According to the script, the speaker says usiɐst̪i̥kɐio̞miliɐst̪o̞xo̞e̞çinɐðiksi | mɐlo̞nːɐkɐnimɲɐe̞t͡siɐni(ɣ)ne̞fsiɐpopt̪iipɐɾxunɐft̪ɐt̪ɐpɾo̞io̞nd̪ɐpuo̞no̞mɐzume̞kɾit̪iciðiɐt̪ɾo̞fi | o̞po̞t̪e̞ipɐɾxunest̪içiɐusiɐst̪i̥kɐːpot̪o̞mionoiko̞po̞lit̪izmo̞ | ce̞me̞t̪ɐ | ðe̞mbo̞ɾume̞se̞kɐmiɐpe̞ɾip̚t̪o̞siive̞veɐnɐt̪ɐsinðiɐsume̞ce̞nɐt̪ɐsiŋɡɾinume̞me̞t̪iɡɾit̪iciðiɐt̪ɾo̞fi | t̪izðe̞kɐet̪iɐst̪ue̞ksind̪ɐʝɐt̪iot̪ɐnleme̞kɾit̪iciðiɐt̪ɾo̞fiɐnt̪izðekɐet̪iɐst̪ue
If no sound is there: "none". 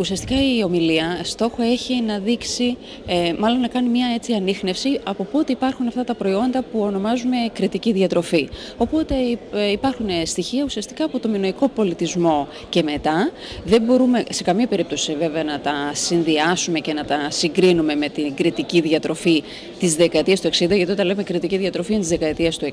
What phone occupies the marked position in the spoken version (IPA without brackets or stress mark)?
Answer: x